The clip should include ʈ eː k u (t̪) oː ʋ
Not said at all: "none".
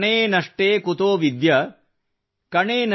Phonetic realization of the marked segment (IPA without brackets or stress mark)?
t̪